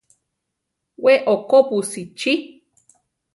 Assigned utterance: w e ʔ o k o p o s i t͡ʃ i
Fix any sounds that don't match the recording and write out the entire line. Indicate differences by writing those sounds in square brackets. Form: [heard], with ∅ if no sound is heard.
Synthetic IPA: w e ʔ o k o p [u] s i t͡ʃ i